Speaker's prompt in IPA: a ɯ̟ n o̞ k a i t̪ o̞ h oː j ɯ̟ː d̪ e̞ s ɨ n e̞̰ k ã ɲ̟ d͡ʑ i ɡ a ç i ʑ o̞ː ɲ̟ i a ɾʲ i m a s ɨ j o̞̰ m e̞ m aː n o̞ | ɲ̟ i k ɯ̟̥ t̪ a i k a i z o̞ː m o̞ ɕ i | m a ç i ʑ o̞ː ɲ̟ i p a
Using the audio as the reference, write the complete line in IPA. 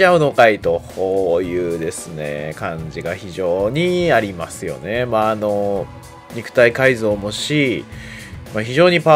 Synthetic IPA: a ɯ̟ n o̞ k a i t̪ o̞ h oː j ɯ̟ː d̪ e̞ s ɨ n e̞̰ k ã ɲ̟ d͡ʑ i ɡ a ç i ʑ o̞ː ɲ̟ i a ɾʲ i m a s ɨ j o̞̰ n e̞ m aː n o̞ | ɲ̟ i k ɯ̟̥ t̪ a i k a i z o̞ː m o̞ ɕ i | m a ç i ʑ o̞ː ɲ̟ i p a